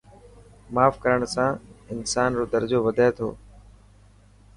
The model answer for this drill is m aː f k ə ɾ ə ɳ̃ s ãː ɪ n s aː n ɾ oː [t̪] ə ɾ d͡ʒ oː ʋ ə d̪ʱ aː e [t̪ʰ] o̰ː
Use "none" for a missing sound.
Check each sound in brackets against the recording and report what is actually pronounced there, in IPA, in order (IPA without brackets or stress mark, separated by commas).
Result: d̪, t̪ʰ